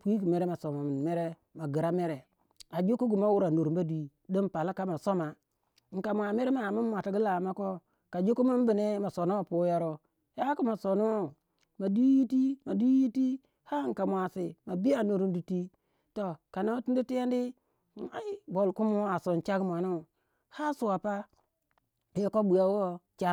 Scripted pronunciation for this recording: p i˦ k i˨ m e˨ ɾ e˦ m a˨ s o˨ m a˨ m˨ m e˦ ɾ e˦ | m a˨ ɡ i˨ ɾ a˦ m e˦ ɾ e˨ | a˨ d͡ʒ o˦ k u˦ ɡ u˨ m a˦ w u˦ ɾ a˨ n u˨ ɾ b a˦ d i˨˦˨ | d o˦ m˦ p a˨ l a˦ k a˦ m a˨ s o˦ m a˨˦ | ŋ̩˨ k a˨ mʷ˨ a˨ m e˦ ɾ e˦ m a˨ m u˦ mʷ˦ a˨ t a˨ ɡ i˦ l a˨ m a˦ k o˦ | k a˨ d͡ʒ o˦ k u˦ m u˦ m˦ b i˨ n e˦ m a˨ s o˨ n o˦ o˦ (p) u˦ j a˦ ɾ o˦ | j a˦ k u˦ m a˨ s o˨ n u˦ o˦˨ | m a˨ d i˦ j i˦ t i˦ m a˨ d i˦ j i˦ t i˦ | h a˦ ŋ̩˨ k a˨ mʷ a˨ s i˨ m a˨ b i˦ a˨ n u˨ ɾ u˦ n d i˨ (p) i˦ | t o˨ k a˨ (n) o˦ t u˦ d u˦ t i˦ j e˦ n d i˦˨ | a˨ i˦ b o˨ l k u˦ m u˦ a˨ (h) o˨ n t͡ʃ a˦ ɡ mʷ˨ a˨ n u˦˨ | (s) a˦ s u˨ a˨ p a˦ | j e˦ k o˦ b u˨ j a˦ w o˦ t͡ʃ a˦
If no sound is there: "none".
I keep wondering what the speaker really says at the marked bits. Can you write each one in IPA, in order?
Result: p, t, n, s, h

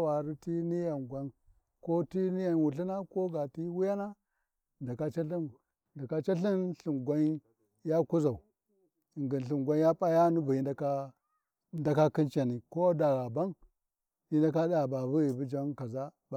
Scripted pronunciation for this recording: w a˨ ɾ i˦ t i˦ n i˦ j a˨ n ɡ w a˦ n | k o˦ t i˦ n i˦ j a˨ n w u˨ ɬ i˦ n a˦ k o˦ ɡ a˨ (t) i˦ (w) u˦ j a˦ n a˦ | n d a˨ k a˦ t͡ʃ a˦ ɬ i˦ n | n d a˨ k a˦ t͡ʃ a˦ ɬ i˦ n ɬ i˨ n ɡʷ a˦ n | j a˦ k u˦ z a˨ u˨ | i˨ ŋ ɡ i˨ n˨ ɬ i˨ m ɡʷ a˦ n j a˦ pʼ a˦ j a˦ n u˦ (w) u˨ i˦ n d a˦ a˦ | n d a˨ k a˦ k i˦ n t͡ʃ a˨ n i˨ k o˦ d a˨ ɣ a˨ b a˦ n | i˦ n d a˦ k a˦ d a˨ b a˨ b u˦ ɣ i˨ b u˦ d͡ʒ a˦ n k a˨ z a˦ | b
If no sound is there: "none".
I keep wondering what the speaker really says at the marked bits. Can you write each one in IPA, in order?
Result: t, w, b

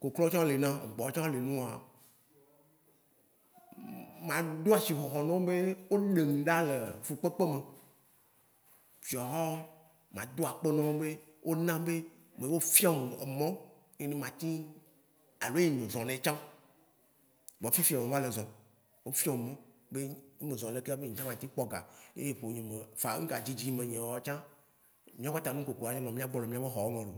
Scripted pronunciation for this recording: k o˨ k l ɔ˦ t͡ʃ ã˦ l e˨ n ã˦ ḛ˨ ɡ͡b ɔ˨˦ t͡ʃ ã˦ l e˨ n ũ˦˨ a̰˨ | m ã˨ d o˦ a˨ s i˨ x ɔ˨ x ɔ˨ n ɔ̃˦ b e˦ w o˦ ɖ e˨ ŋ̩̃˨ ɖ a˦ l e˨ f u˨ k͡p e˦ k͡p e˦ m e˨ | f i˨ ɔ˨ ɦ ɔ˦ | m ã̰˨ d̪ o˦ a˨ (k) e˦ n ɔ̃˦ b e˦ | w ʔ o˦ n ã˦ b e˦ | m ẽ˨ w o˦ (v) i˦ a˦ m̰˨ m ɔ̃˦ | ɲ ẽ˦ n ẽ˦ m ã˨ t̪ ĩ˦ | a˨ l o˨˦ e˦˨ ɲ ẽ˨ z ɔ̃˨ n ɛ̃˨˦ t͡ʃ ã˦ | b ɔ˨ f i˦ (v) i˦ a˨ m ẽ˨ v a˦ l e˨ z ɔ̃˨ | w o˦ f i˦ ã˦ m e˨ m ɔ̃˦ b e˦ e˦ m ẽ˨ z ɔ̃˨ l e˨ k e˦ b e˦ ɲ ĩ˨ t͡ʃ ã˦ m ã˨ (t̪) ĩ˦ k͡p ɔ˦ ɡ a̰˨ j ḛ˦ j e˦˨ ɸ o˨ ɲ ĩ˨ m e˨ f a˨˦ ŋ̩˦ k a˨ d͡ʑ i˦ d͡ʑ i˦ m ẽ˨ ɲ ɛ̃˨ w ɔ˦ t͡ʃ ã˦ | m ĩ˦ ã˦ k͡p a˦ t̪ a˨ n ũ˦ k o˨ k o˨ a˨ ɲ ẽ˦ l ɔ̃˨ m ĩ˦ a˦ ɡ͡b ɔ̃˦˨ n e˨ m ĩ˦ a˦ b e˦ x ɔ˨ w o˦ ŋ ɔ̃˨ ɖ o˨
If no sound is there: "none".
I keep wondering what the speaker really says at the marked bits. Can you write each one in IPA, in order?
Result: k͡p, f, f, t̪

